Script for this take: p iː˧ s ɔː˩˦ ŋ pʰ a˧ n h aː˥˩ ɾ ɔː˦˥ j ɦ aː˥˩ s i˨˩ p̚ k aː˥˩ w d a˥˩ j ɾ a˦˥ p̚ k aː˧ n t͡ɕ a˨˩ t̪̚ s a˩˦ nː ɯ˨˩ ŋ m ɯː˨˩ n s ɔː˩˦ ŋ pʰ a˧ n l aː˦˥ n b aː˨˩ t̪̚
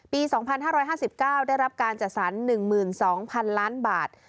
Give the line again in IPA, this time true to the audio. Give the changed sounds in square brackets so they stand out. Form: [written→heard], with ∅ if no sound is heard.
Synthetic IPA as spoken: p iː˧ s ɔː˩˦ ŋ pʰ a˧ n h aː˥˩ ɾ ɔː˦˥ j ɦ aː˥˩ s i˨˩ p̚ k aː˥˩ w d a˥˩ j ɾ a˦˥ p̚ k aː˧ n t͡ɕ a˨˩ t̪̚ s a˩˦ nː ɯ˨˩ ŋ m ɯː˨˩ n s ɔː˩˦ ŋ pʰ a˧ n l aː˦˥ n b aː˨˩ t̪̚